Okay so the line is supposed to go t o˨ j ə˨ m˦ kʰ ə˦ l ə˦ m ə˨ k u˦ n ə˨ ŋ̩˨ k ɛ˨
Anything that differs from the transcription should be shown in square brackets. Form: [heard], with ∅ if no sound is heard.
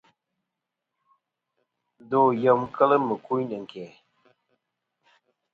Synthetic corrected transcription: [d] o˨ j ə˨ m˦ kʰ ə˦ l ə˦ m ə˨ k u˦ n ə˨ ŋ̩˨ k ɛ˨